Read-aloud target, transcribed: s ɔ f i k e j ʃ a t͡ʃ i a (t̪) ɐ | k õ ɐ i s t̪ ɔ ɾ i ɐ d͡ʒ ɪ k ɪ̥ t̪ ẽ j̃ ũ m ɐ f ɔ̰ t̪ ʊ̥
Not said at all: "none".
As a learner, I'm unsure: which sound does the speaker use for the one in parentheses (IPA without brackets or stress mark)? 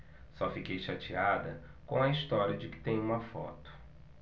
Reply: d̪